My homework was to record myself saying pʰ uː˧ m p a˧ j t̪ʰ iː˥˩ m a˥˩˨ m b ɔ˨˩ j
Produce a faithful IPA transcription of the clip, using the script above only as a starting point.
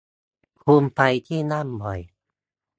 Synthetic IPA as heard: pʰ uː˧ m p a˧ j t̪ʰ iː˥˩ n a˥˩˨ m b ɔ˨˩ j